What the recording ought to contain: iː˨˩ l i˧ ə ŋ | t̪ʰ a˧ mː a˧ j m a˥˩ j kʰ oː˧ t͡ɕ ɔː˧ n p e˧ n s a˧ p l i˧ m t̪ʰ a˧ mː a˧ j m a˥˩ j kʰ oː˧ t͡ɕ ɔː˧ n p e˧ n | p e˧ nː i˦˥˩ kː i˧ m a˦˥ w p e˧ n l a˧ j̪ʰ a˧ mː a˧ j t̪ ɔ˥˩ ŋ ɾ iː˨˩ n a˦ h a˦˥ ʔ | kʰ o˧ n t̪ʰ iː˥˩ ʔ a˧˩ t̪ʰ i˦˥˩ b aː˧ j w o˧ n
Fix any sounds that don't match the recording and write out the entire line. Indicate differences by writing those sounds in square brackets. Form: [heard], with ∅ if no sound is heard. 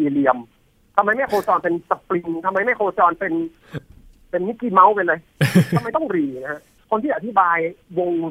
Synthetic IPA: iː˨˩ l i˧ ə [m] | t̪ʰ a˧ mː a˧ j m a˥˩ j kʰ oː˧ t͡ɕ ɔː˧ n p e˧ n s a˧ p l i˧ [ŋ] t̪ʰ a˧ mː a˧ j m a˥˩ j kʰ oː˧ t͡ɕ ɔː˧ n p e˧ n | p e˧ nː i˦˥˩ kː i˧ m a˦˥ w p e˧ n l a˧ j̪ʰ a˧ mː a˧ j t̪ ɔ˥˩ ŋ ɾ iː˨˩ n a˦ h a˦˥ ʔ | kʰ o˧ n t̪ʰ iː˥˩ ʔ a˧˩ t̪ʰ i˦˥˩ b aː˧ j w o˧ [ŋ]